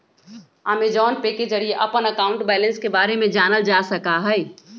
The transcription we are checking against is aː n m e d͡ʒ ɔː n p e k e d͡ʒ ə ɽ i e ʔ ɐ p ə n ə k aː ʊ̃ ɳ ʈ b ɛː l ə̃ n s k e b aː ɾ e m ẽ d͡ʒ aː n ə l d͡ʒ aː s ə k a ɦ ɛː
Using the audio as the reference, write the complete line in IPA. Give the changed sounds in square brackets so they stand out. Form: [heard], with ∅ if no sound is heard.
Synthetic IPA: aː [∅] m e d͡ʒ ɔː n p e k e d͡ʒ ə ɽ i e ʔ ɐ p ə n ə k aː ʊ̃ ɳ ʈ b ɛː l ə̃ n s k e b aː ɾ e m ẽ d͡ʒ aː n ə l d͡ʒ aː s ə k a ɦ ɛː